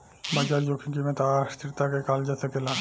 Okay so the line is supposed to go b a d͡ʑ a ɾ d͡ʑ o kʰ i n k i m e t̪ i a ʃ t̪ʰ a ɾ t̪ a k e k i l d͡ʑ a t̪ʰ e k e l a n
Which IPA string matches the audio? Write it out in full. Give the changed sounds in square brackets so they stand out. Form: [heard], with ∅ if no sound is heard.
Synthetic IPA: b a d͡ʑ a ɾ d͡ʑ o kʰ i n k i m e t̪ [a] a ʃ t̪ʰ [i] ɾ t̪ a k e k [a] l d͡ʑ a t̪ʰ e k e l a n